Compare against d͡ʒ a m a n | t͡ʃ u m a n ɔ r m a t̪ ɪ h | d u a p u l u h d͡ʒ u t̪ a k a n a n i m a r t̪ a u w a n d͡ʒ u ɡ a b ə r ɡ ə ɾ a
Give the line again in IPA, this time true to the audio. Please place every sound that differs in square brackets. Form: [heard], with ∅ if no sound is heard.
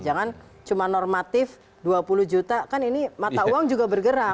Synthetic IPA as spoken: d͡ʒ a [ŋ] a n | t͡ʃ u m a n ɔ r m a t̪ ɪ [f] | d u a p u l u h d͡ʒ u t̪ a k a n [i] n i m a [∅] t̪ a u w a [ŋ] d͡ʒ u ɡ a b ə r ɡ ə ɾ a

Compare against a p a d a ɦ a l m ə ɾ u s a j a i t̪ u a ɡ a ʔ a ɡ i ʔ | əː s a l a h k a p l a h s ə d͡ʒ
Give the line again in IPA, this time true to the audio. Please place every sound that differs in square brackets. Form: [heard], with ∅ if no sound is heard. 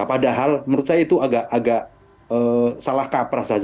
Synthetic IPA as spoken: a p a d a ɦ a l m ə ɾ u s a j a i t̪ u a ɡ a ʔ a ɡ [a] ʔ | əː s a l a h k a p [ɾ] a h s [a] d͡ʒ

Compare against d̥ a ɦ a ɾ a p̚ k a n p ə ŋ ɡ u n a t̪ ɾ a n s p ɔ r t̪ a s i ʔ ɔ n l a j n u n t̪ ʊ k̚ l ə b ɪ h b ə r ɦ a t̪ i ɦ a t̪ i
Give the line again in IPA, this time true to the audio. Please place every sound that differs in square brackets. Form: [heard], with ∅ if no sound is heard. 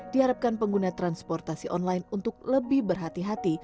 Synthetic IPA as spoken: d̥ [i] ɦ a ɾ a p̚ k a n p ə ŋ ɡ u n a t̪ ɾ a n s p ɔ r t̪ a s i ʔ ɔ n l a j n u n t̪ ʊ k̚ l ə b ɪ h b ə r ɦ a t̪ i ɦ a t̪ i

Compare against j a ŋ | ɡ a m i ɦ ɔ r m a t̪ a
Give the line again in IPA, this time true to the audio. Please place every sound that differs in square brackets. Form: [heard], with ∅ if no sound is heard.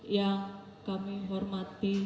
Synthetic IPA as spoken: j a ŋ | [k] a m i ɦ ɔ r m a t̪ [i]

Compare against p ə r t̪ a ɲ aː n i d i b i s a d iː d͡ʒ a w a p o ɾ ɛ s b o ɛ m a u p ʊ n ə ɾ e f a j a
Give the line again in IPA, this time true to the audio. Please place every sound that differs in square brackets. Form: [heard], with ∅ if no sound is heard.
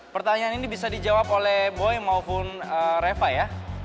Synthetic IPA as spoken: p ə r t̪ a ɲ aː n i [n] i b i s a d [i] d͡ʒ a w a p o [l] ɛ [h] b o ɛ m a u p ʊ n ə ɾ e f a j a

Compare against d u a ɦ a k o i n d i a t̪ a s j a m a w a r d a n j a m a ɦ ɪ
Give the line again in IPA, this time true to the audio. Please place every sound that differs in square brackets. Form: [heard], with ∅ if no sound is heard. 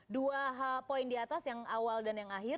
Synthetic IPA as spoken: d u a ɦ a [p] o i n d i a t̪ a s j a [ŋ] a w a [l] d a n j a [ŋ] a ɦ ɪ

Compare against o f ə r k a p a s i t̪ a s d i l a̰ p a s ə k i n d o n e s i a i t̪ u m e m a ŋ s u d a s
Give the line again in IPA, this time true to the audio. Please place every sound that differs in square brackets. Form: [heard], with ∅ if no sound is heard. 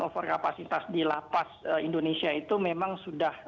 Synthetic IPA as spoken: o f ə r k a p a s i t̪ a s d i l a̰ p a s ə [∅] i n d o n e s i a i t̪ u m e m a ŋ s u d a [h]

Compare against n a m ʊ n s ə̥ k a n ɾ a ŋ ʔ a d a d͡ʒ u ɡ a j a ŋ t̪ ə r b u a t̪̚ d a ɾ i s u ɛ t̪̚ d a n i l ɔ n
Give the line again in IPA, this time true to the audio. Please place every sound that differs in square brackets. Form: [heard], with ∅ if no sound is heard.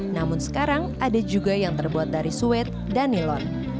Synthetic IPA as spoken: n a m ʊ n s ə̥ k a [∅] ɾ a ŋ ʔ a d a d͡ʒ u ɡ a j a ŋ t̪ ə r b u a t̪̚ d a ɾ i s u ɛ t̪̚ d a n i l ɔ n

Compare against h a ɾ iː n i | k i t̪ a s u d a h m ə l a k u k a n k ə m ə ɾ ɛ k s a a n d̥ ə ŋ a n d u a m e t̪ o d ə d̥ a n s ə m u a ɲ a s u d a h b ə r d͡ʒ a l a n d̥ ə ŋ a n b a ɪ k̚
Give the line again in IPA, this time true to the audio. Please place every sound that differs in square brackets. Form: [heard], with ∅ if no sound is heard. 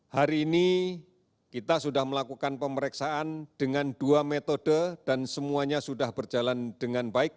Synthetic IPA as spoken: h a ɾ iː n i | k i t̪ a s u d a h m ə l a k u k a n [p] ə m ə ɾ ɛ k s a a n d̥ ə ŋ a n d u a m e t̪ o d ə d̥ a n s ə m u a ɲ a s u d a h b ə r d͡ʒ a l a n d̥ ə ŋ a n b a ɪ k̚

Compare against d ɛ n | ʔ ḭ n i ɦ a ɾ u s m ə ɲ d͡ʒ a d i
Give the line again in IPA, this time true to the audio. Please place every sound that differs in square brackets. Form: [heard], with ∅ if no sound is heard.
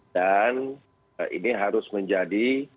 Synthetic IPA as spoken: d [a] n | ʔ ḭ n i ɦ a ɾ [ʊ] s m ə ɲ d͡ʒ a d i

